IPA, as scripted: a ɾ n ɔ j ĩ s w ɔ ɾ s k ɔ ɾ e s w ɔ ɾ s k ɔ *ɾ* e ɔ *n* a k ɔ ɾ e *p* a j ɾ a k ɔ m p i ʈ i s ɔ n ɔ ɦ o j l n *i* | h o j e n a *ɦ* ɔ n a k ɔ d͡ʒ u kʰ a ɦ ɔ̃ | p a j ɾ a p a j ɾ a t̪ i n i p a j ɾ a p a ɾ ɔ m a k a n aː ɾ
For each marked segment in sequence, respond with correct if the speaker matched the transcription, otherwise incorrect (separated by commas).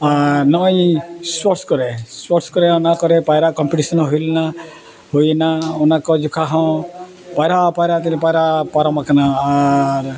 correct, correct, correct, incorrect, incorrect